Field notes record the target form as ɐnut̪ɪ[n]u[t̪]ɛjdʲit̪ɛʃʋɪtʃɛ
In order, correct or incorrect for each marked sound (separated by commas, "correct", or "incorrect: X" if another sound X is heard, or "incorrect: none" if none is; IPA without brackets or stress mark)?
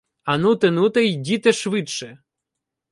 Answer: correct, correct